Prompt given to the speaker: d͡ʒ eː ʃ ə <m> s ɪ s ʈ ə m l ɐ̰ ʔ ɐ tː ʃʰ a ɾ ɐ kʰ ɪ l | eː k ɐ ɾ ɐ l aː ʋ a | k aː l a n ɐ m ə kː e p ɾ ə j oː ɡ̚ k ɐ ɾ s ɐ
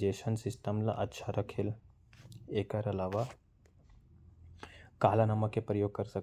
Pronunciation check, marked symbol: incorrect: n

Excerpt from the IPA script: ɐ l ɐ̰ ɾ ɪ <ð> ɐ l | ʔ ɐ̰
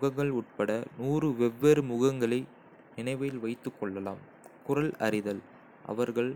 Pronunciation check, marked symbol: correct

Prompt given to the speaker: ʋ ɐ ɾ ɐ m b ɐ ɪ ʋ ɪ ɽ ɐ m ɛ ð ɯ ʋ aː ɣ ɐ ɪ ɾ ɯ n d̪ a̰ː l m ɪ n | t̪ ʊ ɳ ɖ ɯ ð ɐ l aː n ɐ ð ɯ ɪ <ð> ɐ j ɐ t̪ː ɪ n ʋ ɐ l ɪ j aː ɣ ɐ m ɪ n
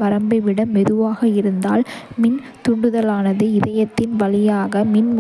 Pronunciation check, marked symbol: correct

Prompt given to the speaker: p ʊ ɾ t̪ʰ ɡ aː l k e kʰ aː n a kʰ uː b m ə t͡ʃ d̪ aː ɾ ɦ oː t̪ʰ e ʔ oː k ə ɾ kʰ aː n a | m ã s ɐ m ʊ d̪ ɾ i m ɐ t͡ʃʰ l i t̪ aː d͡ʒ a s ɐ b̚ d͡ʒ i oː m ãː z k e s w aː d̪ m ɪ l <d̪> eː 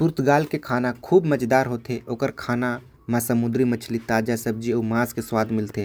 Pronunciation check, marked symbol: incorrect: t̪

